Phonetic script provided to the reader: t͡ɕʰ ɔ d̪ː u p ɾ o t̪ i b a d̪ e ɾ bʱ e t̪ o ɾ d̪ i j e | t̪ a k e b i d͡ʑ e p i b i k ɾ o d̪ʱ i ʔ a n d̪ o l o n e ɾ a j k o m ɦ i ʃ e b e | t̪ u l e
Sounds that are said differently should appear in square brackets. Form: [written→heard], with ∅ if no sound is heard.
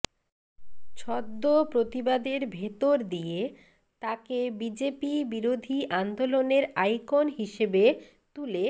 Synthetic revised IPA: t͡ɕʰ ɔ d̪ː [u→o] p ɾ o t̪ i b a d̪ e ɾ bʱ e t̪ o ɾ d̪ i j e | t̪ a k e b i d͡ʑ e p i b i [k→∅] ɾ o d̪ʱ i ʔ a n d̪ o l o n e ɾ a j k o [m→n] ɦ i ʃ e b e | t̪ u l e

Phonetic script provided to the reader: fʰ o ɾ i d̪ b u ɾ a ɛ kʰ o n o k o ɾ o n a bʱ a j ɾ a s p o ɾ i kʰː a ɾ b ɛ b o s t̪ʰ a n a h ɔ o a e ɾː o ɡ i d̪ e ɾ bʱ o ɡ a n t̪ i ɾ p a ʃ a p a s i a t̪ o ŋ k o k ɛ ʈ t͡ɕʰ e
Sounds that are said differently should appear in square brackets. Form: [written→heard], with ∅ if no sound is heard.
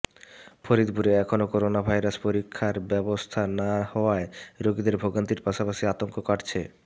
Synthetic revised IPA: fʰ o ɾ i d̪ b u ɾ [a→e] ɛ kʰ o n o k o ɾ o n a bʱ a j ɾ a s p o ɾ i kʰː a ɾ b ɛ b o s t̪ʰ a n a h ɔ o a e [ɾː→ɾ] o ɡ i d̪ e ɾ bʱ o ɡ a n t̪ i ɾ p a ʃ a p a [s→ʃ] i a t̪ o ŋ k o k [ɛ→a] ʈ t͡ɕʰ e

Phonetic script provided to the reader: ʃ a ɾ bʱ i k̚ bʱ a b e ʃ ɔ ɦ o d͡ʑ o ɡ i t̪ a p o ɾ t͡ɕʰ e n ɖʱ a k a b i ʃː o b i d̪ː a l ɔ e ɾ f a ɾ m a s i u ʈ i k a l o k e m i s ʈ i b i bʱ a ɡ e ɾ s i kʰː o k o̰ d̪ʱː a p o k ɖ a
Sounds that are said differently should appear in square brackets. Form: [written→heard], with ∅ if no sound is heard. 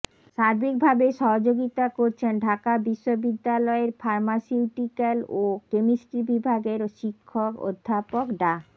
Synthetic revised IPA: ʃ a ɾ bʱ i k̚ bʱ a b e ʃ ɔ ɦ o d͡ʑ o ɡ i t̪ a [p→k] o ɾ t͡ɕʰ e n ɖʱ a k a b i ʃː o b i d̪ː a l ɔ e ɾ f a ɾ m a s i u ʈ i k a l o k e m i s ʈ i b i bʱ a ɡ e ɾ [s→ʃ] i kʰː o k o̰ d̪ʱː a p o k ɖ a

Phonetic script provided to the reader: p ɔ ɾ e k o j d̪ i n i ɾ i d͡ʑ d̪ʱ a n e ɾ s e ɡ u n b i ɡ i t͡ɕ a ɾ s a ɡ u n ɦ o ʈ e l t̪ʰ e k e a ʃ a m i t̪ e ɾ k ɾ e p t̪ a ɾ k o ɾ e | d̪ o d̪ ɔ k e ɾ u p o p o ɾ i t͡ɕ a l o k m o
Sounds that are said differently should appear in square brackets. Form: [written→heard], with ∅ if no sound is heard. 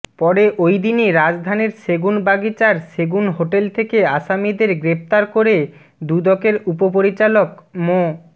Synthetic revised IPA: p ɔ ɾ e [k→ʔ] o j d̪ i n i ɾ [i→a] d͡ʑ d̪ʱ a n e ɾ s e ɡ u n b [i→a] ɡ i t͡ɕ a ɾ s [a→e] ɡ u n ɦ o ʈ e l t̪ʰ e k e a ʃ a m i [t̪→d̪] e ɾ [k→ɡ] ɾ e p t̪ a ɾ k o ɾ e | d̪ [o→u] d̪ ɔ k e ɾ u p o p o ɾ i t͡ɕ a l o k m o

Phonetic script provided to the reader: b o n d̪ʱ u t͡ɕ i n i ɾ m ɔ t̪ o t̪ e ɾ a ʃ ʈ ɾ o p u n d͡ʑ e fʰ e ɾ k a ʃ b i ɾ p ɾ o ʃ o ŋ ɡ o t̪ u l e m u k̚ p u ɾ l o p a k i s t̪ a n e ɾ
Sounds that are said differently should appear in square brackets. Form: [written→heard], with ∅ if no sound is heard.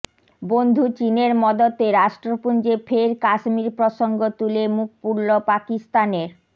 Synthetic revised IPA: b o n d̪ʱ u t͡ɕ i n [i→e] ɾ m ɔ [t̪→d̪] o t̪ e ɾ a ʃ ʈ ɾ o p u n d͡ʑ e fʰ e ɾ k a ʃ [b→m] i ɾ p ɾ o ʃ o ŋ ɡ o t̪ u l e m u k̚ p u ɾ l o p a k i s t̪ a n e ɾ

